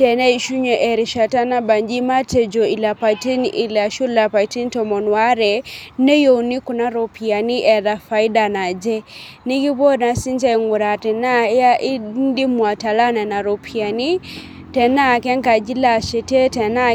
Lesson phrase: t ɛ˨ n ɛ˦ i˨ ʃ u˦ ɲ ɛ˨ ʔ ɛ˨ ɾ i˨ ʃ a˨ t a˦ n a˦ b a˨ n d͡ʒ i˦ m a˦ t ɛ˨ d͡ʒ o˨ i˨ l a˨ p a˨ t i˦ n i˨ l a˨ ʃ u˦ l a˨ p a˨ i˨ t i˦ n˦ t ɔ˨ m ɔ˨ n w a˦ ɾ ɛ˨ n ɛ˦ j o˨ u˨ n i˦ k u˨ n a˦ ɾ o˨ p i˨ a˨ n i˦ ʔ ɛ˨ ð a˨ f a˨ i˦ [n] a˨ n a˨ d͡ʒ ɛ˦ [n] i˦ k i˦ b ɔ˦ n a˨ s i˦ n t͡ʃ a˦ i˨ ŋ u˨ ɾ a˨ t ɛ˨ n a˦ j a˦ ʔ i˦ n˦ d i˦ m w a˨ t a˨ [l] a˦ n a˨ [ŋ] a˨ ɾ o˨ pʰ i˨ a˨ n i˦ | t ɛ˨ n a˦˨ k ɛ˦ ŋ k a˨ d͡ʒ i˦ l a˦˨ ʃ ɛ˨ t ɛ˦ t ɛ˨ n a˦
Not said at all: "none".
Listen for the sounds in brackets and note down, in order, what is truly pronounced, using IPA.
d, n, l, n

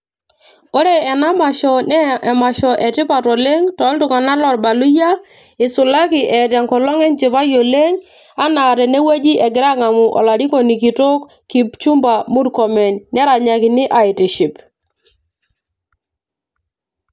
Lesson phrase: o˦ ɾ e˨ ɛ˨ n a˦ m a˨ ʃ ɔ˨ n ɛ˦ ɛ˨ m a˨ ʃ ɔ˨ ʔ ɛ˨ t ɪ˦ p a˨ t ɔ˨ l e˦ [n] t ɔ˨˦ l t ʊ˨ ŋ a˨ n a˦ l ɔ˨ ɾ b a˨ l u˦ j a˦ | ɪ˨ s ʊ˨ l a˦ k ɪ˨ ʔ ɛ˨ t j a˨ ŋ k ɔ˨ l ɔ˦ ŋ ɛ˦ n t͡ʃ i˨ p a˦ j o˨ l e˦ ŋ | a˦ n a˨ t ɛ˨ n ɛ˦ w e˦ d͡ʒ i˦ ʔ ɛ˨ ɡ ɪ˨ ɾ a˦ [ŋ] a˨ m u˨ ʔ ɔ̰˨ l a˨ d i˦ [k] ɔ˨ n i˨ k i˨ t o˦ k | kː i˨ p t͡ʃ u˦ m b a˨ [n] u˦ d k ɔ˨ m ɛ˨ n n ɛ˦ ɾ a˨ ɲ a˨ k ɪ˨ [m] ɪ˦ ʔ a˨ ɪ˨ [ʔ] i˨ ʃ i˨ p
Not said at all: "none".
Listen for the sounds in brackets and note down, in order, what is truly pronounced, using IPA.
ŋ, ŋ, k, m, n, t

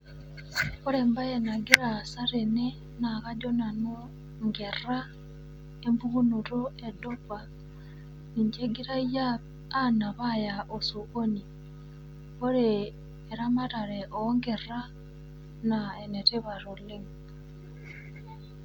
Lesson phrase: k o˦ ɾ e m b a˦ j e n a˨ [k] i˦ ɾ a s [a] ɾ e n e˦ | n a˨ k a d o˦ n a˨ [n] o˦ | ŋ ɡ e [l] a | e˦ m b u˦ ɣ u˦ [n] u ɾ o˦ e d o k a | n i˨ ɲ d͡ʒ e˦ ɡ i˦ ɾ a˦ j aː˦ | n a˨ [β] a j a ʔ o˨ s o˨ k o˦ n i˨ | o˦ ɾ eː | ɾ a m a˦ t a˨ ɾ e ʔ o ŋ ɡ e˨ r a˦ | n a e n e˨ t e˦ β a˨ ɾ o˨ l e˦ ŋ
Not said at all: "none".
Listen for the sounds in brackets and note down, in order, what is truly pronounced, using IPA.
ɡ, a, n, r, n, β

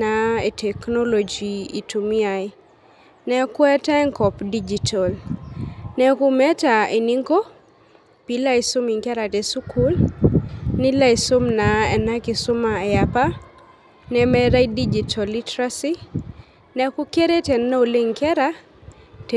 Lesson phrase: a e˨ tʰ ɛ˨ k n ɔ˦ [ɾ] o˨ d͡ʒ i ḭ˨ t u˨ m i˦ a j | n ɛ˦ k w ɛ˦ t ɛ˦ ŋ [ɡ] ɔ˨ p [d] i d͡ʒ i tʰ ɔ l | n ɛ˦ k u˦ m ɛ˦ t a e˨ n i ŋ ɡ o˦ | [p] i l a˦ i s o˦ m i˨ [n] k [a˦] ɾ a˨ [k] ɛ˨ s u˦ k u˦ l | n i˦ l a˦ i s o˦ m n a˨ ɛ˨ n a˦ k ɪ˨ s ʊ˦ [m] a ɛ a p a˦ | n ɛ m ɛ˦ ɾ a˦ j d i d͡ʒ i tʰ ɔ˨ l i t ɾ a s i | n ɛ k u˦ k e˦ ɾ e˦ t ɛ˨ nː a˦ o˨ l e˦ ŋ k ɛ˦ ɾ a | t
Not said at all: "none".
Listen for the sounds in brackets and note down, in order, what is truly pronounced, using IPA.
l, k, d, p, ŋ, ɛ˦, t, m

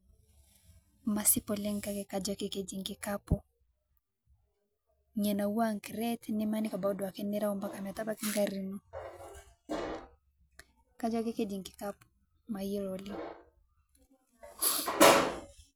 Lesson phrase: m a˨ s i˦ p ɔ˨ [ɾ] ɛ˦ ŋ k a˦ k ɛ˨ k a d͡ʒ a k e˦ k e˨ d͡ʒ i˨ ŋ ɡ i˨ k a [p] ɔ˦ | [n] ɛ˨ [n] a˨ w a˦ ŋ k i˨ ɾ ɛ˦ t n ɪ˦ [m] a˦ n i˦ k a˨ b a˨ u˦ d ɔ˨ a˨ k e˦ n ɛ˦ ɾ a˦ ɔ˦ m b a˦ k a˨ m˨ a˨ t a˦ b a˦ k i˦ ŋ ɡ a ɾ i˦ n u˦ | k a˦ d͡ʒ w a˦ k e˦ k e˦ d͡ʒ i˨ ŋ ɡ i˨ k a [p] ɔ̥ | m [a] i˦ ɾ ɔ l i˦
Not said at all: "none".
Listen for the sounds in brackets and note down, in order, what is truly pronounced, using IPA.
l, p, ɲ, n, m, p, a

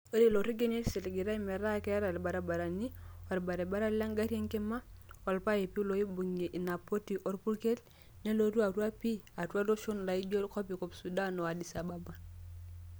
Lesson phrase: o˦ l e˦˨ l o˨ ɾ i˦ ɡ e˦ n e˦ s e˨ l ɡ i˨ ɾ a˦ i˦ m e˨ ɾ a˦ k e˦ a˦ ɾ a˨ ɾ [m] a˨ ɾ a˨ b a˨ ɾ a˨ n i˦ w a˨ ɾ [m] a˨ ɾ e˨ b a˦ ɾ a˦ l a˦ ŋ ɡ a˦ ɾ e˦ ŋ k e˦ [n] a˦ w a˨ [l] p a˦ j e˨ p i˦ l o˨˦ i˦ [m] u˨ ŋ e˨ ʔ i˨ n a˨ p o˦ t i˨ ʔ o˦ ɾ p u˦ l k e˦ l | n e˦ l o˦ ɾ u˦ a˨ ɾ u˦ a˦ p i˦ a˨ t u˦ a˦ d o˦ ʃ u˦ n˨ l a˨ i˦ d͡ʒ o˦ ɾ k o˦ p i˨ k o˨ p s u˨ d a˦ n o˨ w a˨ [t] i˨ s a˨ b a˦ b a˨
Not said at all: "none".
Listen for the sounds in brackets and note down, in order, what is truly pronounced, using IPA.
b, b, m, l, b, d

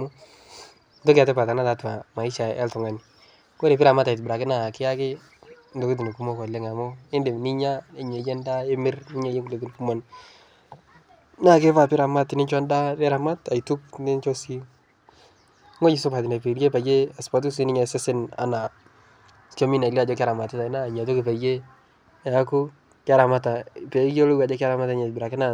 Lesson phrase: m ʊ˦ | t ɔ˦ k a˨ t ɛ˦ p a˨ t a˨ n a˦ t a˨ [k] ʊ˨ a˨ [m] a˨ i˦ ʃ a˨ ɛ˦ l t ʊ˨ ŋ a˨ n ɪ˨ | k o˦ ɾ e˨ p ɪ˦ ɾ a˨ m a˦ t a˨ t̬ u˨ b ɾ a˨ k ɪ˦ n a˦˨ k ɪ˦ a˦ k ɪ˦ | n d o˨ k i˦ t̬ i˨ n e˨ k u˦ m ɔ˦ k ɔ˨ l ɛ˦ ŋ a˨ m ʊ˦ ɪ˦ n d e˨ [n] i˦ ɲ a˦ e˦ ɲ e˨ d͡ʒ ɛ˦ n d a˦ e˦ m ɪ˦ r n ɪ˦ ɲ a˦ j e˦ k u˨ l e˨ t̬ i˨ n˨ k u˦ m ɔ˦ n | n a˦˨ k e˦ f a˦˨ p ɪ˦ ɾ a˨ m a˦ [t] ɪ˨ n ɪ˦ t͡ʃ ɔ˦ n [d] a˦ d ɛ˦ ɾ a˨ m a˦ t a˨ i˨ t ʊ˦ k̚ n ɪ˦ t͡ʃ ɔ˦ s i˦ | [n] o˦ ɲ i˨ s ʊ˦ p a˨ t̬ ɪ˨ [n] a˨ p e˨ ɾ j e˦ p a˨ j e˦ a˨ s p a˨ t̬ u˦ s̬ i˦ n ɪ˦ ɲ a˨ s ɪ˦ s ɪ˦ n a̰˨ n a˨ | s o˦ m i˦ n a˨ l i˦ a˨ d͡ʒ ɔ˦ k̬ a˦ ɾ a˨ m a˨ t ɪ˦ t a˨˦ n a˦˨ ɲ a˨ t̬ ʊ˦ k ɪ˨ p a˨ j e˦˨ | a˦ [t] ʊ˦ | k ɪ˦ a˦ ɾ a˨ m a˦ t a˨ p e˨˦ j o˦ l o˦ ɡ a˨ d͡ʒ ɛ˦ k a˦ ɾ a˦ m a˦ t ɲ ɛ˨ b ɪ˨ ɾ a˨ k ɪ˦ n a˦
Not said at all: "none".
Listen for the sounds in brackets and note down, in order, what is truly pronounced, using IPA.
t, m, n, t, d, ŋ, n, k

